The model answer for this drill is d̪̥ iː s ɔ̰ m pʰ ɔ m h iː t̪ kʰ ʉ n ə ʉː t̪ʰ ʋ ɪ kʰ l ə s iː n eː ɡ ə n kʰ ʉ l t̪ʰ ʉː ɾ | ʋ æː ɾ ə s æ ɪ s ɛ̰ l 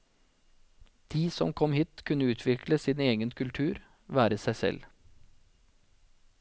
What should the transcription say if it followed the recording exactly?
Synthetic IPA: d̪̥ iː s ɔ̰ m kʰ ɔ m h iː t̪ kʰ ʉ n ə ʉː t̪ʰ ʋ ɪ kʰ l ə s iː n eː ɡ ə n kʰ ʉ l t̪ʰ ʉː ɾ | ʋ æː ɾ ə s æ ɪ s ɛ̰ l